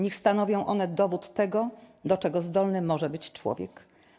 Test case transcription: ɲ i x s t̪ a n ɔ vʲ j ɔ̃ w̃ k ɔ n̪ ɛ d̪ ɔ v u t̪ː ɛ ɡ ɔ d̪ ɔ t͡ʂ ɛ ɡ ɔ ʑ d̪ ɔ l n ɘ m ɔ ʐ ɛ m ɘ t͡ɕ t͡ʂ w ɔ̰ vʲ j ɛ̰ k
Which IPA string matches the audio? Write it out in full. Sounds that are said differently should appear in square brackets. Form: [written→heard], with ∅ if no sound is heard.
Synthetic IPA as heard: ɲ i x s t̪ a n ɔ vʲ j ɔ̃ w̃ [k→ʔ] ɔ n̪ ɛ d̪ ɔ v u t̪ː ɛ ɡ ɔ d̪ ɔ t͡ʂ ɛ ɡ ɔ [ʑ→z] d̪ ɔ l n ɘ m ɔ ʐ ɛ [m→b] ɘ t͡ɕ t͡ʂ w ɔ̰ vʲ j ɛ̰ k